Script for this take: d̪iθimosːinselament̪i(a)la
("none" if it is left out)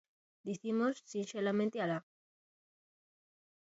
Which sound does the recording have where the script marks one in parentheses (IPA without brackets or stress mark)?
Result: a